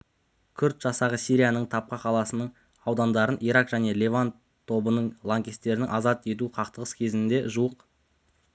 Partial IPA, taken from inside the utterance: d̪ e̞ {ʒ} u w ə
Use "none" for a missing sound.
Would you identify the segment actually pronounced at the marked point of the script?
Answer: ʒ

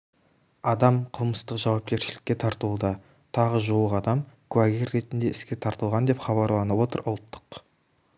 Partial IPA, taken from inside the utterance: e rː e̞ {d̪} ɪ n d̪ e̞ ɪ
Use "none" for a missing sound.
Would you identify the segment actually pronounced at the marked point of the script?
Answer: t̪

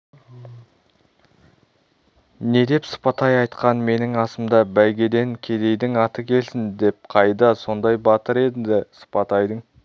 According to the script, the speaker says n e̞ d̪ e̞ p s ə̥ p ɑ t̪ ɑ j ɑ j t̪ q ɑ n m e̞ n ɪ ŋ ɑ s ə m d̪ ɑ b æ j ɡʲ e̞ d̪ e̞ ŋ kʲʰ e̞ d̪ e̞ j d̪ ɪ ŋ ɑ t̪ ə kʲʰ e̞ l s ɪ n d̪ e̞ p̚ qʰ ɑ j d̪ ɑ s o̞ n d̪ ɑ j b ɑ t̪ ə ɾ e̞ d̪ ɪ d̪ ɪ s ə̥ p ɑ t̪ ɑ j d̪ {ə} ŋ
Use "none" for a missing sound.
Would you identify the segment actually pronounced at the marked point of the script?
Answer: ə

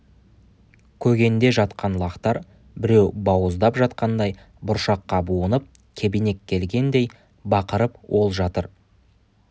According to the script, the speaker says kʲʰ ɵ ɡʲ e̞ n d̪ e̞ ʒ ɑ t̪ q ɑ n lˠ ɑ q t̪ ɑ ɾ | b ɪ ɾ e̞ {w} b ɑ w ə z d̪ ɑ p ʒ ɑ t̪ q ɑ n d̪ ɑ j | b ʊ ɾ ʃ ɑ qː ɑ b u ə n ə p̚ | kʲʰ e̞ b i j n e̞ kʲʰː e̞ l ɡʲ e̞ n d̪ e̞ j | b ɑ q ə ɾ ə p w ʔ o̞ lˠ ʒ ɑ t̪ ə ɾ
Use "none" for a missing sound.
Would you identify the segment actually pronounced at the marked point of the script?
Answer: w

